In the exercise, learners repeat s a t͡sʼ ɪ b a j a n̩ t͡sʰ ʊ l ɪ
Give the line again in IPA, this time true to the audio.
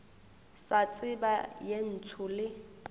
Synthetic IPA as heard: s a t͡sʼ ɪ b a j e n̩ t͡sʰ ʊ l ɪ

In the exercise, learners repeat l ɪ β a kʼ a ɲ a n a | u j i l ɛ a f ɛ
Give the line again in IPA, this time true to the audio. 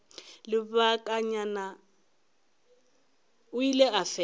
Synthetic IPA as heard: l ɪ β a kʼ a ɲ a n a | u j i l ɛ a f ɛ

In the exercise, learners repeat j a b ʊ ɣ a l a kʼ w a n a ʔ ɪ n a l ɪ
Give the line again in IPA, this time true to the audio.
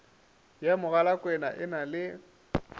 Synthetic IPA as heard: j a m ʊ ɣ a l a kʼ w ɛ n a ʔ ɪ n a l ɪ

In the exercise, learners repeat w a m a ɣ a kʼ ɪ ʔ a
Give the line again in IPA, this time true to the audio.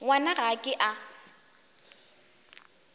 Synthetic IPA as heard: w a n a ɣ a kʼ ɪ ʔ a

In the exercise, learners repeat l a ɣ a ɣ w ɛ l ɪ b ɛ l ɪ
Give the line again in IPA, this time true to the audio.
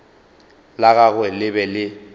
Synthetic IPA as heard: l a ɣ a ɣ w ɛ l ɪ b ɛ l ɪ

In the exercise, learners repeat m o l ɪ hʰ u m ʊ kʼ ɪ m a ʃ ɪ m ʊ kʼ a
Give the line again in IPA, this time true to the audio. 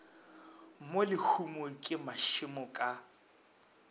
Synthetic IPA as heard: m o l ɪ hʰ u m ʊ kʼ ɪ m a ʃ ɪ m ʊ kʼ a

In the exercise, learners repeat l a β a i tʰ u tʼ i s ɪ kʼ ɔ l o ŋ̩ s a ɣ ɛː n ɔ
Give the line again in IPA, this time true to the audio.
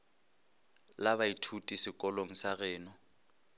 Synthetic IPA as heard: l a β a i tʰ u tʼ i s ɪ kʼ ɔ l o ŋ̩ s a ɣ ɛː n ɔ

